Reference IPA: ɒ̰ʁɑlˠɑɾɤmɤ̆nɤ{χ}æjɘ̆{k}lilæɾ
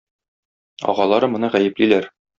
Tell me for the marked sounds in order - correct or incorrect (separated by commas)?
incorrect, incorrect